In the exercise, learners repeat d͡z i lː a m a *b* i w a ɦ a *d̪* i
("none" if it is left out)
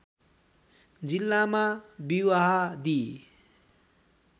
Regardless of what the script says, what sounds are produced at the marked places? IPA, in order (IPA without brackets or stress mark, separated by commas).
b, d̪